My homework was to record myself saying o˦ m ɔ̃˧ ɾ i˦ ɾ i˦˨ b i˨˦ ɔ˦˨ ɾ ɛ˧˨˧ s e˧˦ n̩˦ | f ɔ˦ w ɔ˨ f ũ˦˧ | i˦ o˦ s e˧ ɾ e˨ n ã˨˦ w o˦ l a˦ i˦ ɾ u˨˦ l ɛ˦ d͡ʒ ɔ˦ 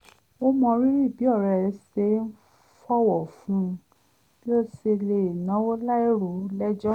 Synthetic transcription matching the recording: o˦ m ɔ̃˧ ɾ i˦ ɾ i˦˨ b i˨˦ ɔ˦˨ ɾ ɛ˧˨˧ s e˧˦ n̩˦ | f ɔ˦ w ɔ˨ f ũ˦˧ | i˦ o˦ s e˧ l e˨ n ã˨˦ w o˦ l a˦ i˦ ɾ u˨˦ l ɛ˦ d͡ʒ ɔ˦